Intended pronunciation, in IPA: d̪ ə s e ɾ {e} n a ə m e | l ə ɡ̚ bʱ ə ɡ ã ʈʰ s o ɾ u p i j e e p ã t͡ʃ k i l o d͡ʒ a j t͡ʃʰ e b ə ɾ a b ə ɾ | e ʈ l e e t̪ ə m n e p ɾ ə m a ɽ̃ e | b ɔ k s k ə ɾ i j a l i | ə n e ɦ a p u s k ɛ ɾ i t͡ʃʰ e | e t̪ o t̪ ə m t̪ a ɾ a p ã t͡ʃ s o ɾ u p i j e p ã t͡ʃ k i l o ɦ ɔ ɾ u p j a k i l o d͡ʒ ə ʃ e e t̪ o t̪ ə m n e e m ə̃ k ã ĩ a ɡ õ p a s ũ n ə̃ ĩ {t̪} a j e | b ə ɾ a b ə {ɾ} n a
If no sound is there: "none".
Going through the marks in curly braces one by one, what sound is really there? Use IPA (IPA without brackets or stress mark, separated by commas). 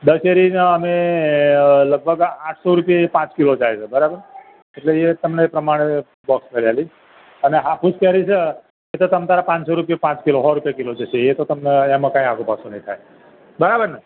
i, t̪ʰ, ɾ